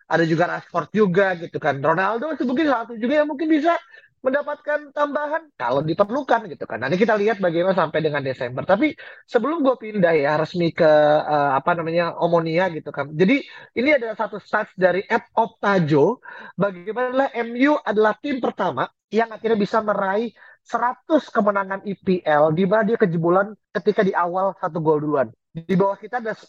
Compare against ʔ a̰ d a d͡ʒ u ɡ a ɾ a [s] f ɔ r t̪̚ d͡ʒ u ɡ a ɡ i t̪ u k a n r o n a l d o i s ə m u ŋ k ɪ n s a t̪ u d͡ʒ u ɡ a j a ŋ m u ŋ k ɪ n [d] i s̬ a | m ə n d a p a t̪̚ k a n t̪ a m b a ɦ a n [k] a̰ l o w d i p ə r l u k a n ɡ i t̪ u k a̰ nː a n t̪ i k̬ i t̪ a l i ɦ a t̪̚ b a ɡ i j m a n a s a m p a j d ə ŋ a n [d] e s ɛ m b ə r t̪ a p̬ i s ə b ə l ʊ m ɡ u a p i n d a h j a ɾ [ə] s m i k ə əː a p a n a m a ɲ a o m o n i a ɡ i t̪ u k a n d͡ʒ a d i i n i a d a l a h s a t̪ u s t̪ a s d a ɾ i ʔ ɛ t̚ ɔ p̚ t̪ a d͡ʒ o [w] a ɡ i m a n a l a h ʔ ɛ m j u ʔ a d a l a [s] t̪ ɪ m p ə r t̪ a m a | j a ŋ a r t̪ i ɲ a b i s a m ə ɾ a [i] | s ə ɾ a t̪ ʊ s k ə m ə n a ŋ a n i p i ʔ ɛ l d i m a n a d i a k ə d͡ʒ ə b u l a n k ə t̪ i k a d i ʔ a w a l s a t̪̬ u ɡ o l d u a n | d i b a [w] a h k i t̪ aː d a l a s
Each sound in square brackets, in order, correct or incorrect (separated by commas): correct, incorrect, correct, correct, correct, incorrect, incorrect, correct, correct